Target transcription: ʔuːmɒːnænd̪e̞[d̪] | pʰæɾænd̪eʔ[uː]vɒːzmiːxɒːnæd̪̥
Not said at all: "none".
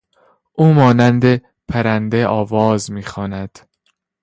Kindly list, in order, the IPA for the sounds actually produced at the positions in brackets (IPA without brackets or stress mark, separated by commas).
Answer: none, ɒː